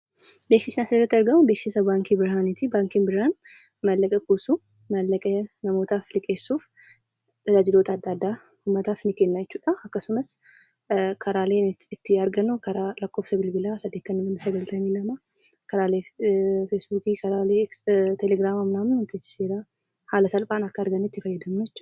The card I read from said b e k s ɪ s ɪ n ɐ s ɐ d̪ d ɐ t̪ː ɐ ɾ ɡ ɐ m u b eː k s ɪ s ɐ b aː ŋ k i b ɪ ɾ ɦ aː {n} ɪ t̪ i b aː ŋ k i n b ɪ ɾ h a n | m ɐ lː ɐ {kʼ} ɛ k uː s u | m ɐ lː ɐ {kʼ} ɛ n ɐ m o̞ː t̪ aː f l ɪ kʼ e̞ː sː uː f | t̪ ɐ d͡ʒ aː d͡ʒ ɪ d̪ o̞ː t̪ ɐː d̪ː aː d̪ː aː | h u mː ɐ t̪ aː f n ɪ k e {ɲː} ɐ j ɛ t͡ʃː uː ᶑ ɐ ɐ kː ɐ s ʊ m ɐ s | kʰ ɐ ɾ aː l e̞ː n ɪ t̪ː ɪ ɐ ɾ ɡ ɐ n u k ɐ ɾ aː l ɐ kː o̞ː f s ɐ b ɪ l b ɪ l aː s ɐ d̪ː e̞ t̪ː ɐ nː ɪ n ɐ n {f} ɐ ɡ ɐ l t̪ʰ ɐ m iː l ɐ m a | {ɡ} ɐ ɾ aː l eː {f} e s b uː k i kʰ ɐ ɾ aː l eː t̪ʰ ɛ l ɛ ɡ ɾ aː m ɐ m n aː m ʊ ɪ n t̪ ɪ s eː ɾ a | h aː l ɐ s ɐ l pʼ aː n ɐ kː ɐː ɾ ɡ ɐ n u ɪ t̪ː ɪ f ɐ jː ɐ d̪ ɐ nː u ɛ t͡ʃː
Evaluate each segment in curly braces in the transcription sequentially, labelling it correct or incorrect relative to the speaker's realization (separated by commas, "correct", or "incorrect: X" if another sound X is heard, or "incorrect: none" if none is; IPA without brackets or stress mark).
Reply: correct, correct, correct, incorrect: nː, incorrect: s, incorrect: k, correct